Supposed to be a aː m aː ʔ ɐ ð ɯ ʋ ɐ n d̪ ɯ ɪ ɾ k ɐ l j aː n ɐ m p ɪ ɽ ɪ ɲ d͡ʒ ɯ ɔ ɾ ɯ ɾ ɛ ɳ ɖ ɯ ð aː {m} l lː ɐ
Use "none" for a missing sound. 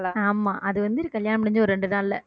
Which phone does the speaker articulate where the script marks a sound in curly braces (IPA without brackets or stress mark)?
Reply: none